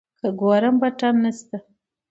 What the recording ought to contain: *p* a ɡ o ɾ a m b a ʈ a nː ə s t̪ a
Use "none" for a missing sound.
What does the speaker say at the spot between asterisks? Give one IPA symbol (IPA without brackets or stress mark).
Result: k